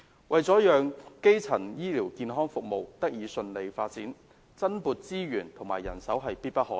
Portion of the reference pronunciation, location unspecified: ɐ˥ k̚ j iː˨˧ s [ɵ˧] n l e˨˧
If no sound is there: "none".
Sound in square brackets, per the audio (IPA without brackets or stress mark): ɵ˧